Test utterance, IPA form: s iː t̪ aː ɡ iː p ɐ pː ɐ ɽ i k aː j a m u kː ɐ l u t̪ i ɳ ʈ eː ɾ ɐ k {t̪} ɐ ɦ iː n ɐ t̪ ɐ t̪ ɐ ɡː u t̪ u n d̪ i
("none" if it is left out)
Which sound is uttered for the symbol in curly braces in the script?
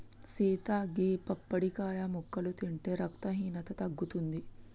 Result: t̪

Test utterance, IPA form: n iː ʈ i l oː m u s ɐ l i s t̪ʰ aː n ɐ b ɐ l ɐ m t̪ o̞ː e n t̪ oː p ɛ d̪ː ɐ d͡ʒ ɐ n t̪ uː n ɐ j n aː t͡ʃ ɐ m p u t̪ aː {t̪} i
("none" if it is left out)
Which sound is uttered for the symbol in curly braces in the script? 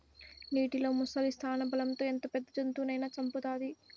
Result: d̪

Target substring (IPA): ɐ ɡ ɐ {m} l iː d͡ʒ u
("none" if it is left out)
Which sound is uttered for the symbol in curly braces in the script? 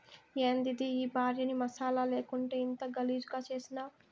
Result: none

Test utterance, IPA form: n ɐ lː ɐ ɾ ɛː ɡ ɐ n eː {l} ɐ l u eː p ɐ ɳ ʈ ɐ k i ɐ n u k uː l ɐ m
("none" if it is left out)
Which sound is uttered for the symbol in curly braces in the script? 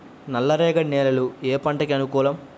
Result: l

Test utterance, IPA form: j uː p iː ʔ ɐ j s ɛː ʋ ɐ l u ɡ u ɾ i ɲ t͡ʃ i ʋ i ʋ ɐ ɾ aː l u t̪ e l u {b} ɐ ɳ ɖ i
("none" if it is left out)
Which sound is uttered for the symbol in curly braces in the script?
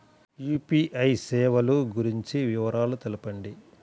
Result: p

